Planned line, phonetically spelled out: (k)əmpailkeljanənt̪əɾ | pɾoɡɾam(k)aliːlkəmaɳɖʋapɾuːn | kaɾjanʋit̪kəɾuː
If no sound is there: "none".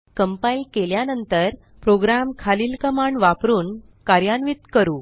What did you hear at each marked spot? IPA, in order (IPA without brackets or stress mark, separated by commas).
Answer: k, kʰ